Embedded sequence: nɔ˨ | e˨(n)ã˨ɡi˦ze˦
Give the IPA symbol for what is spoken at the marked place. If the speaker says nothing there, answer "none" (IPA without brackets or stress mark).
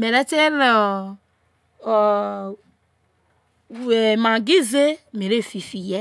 m